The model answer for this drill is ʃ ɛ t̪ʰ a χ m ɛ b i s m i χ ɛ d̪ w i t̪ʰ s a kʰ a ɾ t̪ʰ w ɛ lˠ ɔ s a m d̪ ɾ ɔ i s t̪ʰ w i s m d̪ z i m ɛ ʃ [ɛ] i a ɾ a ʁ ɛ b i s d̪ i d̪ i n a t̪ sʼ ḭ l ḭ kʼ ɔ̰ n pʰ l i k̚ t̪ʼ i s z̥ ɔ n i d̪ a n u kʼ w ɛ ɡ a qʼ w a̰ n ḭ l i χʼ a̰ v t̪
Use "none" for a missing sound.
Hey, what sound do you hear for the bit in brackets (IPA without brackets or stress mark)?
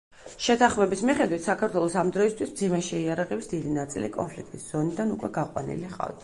ɛ